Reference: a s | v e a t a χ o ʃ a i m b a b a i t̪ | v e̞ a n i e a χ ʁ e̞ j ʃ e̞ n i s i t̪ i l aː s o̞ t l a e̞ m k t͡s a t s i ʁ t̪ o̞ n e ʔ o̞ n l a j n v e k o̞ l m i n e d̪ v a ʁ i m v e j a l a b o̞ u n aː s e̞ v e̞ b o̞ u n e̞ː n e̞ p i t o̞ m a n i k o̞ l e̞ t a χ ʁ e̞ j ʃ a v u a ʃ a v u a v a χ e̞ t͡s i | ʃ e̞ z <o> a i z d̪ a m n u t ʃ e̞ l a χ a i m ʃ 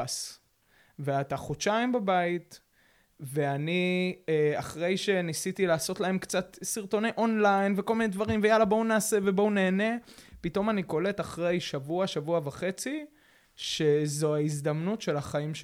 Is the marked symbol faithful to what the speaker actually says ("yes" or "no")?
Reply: yes